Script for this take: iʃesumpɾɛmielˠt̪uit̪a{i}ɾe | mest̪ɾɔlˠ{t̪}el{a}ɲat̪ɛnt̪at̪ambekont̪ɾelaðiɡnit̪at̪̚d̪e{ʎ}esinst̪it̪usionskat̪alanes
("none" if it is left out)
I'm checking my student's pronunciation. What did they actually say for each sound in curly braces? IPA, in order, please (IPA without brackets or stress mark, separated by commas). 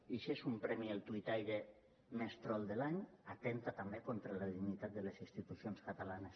j, d̪, a, l